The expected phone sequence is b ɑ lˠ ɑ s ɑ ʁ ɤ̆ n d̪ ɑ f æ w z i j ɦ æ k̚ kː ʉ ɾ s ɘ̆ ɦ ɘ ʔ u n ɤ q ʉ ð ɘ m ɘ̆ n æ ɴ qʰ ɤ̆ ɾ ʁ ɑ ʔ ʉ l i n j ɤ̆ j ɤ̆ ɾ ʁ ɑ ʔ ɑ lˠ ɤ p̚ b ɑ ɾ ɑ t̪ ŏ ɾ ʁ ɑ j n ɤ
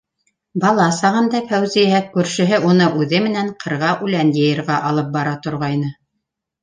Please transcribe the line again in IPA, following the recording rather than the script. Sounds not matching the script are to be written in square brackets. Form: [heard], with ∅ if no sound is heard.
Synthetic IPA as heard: b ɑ lˠ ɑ s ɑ ʁ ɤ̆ n d̪ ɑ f æ w z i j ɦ æ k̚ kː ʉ ɾ [ʃ] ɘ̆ ɦ ɘ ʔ u n ɤ [ʔ] ʉ ð ɘ m ɘ̆ n æ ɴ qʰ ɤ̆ ɾ ʁ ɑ ʔ ʉ l [æ] n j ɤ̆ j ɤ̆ ɾ ʁ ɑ ʔ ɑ lˠ ɤ p̚ b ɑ ɾ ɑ t̪ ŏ ɾ ʁ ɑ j n ɤ